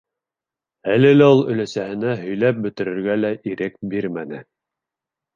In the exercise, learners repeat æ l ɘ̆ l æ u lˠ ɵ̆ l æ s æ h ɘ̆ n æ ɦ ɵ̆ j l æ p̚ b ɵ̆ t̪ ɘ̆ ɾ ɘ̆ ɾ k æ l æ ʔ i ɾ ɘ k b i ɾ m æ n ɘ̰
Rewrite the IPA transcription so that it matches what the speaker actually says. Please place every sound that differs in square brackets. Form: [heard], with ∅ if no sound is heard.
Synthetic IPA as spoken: æ l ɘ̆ l æ u lˠ ɵ̆ l æ s æ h ɘ̆ n æ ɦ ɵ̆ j l æ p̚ b ɵ̆ t̪ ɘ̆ ɾ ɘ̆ ɾ [ɡ] æ l æ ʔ i ɾ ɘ k b i ɾ m æ n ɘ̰

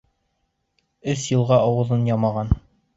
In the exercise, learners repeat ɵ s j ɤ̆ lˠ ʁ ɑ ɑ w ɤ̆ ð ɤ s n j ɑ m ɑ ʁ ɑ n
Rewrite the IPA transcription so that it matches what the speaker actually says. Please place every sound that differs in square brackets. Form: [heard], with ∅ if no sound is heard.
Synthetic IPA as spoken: ɵ s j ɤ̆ lˠ ʁ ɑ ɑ w ɤ̆ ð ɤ [∅] n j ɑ m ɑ ʁ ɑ n

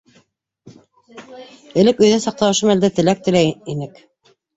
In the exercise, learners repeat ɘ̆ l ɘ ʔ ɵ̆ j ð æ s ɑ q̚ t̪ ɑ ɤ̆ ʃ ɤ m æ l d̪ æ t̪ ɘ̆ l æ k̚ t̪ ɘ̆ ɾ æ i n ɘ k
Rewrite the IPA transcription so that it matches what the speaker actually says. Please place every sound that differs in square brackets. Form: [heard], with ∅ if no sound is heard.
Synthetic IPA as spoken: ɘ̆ l ɘ [k] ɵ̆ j ð æ s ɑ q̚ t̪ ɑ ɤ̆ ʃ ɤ m æ l d̪ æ t̪ ɘ̆ l æ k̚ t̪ ɘ̆ [l] æ i n ɘ k

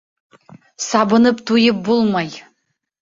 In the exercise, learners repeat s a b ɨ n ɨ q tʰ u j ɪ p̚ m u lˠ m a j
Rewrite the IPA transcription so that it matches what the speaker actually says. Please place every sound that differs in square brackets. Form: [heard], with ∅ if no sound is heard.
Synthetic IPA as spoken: s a b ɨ n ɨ [p] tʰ u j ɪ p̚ [b] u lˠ m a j

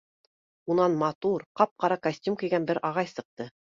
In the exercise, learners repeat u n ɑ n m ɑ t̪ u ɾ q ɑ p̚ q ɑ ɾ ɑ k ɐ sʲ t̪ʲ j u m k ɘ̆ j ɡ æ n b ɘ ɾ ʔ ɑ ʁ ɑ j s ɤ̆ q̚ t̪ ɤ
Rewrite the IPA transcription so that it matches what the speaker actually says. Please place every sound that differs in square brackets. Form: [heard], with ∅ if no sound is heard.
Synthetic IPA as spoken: u n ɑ n m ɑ t̪ u ɾ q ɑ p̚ q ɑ ɾ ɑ k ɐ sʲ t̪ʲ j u m k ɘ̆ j ɡ æ n b ɘ ɾ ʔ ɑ ʁ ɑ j s ɤ̆ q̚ t̪ ɤ

